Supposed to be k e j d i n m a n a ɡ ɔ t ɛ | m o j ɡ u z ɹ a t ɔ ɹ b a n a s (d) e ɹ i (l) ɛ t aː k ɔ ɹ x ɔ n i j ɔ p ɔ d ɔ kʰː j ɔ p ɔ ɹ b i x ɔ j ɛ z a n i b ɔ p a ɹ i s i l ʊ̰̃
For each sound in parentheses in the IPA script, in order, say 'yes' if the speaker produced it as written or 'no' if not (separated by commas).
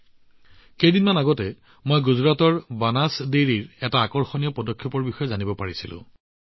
yes, no